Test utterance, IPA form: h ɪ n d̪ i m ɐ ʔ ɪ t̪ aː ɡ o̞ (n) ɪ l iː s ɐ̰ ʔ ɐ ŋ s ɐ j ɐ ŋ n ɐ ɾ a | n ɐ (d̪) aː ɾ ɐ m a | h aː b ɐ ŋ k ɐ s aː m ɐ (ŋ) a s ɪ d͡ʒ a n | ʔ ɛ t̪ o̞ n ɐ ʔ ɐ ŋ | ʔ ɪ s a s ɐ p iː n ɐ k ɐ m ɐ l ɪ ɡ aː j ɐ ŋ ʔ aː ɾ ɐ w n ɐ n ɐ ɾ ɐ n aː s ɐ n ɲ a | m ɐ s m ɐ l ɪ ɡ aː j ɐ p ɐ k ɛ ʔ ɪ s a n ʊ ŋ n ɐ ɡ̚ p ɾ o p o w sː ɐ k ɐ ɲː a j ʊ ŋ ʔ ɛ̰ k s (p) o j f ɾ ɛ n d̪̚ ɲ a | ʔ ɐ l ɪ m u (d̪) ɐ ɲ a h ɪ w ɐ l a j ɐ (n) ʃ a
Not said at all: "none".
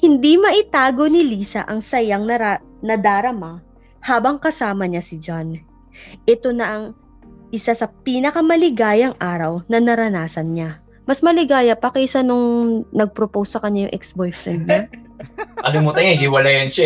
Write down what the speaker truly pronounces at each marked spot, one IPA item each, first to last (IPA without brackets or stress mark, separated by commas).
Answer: n, d̪, ɲ, b, t̪, n